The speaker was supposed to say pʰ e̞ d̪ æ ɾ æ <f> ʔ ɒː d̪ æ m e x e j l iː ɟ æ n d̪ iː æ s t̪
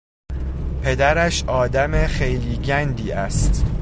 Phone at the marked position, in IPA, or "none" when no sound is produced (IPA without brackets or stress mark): ʃ